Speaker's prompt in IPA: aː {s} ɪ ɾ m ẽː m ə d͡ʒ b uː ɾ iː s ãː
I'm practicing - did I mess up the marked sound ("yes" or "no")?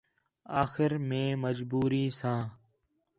yes